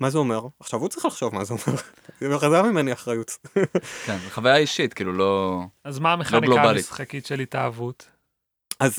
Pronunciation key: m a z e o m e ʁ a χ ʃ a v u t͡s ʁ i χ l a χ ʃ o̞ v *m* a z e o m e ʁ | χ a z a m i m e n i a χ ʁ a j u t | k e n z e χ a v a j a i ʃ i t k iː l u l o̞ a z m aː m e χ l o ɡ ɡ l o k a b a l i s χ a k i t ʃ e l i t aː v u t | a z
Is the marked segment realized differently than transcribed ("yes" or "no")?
no